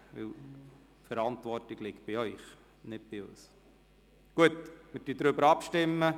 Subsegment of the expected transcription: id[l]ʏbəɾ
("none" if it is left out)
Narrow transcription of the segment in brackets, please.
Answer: ɾ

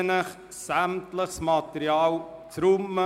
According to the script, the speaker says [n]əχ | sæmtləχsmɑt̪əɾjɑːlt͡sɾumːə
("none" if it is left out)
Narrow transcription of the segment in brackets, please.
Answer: n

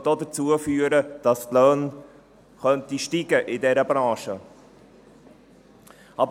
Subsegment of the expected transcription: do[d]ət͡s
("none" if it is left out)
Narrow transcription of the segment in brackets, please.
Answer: d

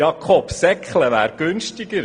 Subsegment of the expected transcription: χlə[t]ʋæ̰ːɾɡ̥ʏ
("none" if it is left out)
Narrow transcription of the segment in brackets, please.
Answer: none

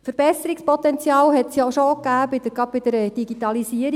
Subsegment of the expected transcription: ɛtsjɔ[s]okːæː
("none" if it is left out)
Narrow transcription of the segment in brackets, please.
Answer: ʃ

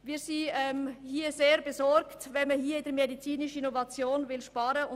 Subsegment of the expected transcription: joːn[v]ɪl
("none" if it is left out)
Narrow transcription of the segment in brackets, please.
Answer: v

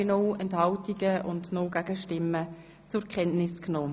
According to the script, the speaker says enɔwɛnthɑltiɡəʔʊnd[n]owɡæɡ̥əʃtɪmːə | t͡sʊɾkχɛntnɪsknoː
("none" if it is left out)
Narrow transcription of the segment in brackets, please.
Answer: n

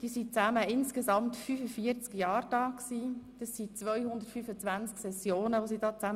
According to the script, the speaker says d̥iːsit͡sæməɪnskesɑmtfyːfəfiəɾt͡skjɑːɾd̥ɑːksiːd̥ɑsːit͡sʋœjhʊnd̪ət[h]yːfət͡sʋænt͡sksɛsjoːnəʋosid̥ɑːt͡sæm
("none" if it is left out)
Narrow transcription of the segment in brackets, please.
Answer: f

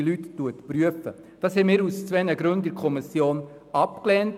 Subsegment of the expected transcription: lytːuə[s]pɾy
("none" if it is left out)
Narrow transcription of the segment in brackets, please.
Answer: t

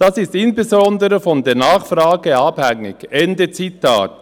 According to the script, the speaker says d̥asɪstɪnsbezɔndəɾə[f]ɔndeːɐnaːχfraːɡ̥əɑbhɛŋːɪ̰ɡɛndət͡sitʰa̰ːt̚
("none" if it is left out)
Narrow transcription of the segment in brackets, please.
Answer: f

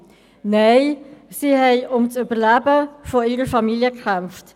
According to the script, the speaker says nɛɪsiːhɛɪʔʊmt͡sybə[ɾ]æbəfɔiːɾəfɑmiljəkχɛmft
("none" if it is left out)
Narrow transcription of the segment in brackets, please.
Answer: l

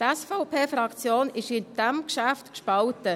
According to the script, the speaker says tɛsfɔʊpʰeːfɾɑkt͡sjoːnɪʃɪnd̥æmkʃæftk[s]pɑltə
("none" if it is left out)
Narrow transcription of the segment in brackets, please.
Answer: ʃ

